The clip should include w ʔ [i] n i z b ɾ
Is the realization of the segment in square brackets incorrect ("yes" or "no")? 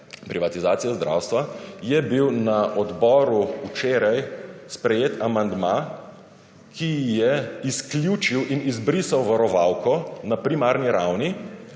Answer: no